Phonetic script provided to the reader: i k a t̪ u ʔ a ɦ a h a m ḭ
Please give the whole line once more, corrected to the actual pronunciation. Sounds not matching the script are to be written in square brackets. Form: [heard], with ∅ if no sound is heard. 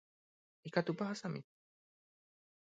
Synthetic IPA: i k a t̪ u [p] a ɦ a [s] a m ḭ